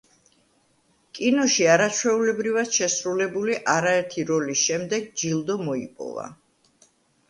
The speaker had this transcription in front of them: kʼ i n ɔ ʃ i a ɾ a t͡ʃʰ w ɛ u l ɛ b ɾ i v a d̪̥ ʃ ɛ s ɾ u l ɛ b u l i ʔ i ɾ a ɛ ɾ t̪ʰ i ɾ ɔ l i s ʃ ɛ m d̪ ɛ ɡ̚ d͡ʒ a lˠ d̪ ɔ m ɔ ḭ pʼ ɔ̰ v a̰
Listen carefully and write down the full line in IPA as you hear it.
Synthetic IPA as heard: kʼ i n ɔ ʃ i a ɾ a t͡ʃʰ w ɛ u l ɛ b ɾ i v a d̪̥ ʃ ɛ s ɾ u l ɛ b u l i ʔ a ɾ a ɛ ɾ t̪ʰ i ɾ ɔ l i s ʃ ɛ m d̪ ɛ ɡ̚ d͡ʒ i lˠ d̪ ɔ m ɔ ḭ pʼ ɔ̰ v a̰